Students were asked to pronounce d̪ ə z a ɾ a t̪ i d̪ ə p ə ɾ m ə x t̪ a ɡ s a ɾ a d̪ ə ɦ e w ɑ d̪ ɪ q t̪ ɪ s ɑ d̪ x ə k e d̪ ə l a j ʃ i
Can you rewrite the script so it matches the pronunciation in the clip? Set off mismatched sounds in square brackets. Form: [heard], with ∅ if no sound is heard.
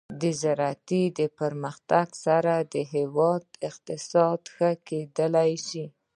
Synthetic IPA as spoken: d̪ ə z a ɾ a t̪ i d̪ ə p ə ɾ m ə x t̪ a ɡ s a ɾ a d̪ ə ɦ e w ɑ d̪ ɪ q t̪ ɪ s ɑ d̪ x ə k e d̪ ə l a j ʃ i